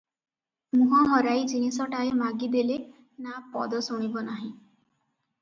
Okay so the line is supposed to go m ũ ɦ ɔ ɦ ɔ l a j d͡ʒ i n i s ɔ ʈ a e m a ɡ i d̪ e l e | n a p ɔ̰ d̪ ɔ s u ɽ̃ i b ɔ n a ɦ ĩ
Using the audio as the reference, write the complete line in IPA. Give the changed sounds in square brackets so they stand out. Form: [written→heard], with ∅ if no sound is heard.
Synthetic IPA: m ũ ɦ ɔ ɦ ɔ [l→ɾ] a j d͡ʒ i n i s ɔ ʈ a e m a ɡ i d̪ e l e | n a p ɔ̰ d̪ ɔ s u ɽ̃ i b ɔ n a ɦ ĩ